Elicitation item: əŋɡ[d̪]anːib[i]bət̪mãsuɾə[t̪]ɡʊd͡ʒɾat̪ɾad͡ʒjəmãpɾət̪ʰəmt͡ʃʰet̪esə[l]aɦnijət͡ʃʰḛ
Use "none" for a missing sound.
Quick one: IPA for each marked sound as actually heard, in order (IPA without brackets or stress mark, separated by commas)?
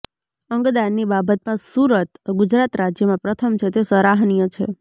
d̪, a, t̪, ɾ